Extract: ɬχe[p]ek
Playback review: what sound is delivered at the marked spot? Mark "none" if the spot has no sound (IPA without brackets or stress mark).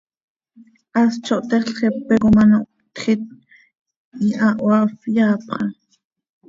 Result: p